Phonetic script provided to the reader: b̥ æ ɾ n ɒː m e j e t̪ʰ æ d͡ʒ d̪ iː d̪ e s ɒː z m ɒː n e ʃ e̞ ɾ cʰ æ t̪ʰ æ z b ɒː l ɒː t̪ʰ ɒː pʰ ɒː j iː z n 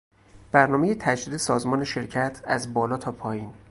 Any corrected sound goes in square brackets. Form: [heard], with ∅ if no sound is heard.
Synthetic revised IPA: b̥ æ ɾ n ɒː m e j e t̪ʰ æ d͡ʒ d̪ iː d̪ e s ɒː z m ɒː n e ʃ e̞ ɾ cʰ æ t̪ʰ æ z b ɒː l ɒː t̪ʰ ɒː pʰ ɒː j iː [∅] n